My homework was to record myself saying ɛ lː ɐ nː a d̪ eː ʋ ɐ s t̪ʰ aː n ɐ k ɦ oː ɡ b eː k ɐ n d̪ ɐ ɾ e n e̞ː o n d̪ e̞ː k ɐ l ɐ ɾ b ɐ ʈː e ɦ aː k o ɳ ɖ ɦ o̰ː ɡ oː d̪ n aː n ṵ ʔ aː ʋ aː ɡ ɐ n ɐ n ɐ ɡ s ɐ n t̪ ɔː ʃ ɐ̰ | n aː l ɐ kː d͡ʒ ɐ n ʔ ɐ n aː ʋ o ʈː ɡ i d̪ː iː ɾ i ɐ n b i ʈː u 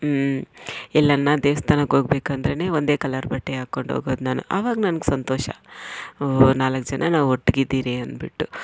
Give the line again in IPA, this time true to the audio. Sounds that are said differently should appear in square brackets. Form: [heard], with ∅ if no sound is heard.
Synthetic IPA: ɛ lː ɐ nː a d̪ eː ʋ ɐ s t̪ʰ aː n ɐ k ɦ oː ɡ b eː k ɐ n d̪ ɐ ɾ e n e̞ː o n d̪ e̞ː k ɐ l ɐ ɾ b ɐ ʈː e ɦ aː k o ɳ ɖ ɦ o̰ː ɡ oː d̪ n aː n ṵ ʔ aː ʋ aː ɡ ɐ n ɐ n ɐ ɡ s ɐ n t̪ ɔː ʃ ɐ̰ | n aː l ɐ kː d͡ʒ ɐ n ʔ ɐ n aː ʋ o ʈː ɡ i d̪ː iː ɾ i ɐ n b i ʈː u